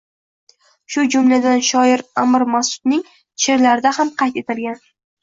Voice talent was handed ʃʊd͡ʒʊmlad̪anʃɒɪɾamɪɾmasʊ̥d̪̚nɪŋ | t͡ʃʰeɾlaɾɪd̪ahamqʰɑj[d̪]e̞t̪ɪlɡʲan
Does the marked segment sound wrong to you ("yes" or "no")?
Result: yes